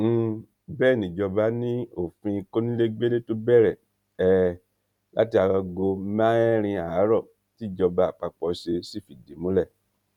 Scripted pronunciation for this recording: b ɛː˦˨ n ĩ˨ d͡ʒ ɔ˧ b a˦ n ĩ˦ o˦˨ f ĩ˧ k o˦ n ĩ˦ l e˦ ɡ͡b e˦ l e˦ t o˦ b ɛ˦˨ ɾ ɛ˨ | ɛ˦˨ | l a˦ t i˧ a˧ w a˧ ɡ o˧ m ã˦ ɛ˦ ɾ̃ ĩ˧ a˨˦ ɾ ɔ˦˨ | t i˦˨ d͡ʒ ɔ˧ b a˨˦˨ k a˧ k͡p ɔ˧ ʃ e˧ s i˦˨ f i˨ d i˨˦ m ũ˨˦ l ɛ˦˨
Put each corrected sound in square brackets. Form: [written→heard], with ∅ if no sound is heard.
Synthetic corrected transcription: b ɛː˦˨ n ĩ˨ d͡ʒ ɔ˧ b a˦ n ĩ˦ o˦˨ f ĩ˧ k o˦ n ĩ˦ l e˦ ɡ͡b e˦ l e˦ t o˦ b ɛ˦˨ ɾ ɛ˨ | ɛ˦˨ | l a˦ t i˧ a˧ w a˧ ɡ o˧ m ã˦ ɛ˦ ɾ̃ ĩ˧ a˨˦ ɾ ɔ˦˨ | t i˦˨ d͡ʒ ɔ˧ b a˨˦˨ [k→k͡p] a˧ k͡p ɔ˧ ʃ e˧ s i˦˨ f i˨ d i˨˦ m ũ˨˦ l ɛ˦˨